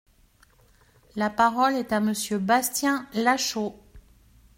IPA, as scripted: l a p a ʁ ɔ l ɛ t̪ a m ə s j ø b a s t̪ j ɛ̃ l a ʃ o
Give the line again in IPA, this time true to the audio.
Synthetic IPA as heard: l a p a ʁ ɔ l ɛ t̪ a m ə s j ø b a s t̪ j ɛ̃ l a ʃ o